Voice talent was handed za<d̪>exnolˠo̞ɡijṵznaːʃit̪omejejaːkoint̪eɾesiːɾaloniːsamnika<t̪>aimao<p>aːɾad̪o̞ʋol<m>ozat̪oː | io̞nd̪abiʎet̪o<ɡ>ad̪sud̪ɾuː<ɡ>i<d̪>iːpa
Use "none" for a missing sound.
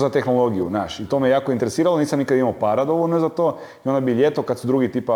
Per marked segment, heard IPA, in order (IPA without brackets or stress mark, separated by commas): t̪, d̪, p, n, k, ɡ, t̪